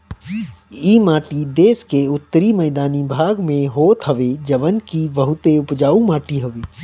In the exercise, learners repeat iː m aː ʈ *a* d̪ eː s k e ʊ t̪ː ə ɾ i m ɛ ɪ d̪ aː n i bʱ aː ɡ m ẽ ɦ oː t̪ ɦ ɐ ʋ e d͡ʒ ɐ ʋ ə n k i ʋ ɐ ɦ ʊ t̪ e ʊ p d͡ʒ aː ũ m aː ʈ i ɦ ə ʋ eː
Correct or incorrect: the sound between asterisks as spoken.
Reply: incorrect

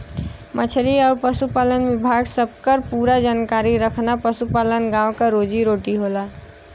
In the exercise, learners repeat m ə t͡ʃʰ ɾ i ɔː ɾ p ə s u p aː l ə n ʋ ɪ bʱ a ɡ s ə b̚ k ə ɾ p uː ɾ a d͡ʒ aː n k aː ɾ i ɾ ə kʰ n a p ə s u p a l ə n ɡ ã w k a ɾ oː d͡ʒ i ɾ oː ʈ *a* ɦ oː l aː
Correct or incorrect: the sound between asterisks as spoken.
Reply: incorrect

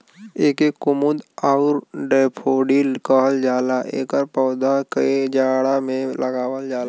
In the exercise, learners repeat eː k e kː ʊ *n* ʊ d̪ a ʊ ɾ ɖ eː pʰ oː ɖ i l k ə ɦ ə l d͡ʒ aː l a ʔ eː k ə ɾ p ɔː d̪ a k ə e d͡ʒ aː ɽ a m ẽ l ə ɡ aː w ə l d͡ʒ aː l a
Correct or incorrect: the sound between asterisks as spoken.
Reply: incorrect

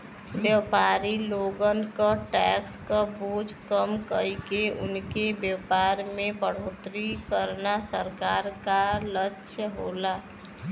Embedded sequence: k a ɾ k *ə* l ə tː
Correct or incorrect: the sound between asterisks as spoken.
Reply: incorrect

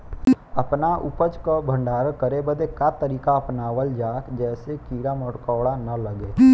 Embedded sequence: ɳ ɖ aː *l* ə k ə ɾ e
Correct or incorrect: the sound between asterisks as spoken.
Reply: incorrect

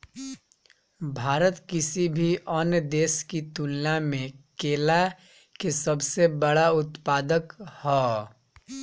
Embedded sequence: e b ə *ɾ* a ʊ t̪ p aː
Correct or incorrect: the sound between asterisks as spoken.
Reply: incorrect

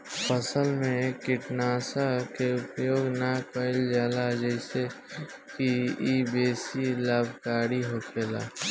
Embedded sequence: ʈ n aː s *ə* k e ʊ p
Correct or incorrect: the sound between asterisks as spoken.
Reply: incorrect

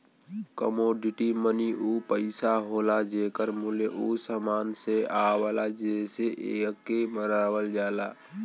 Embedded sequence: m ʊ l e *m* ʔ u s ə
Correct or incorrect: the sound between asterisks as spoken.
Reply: incorrect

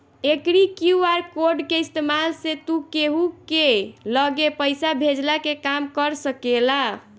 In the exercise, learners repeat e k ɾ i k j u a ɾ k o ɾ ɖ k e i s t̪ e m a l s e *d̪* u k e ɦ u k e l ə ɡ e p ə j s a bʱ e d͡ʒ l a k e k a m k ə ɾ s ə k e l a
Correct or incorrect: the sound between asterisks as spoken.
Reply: incorrect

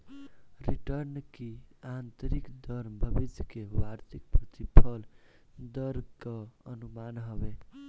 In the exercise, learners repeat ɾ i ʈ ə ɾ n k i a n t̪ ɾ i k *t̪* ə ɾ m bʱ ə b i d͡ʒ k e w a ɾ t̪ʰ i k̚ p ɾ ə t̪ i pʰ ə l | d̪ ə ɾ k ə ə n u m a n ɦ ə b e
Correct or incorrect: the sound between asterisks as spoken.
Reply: incorrect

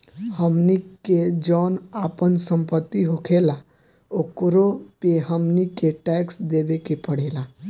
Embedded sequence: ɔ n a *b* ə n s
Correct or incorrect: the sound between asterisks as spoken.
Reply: incorrect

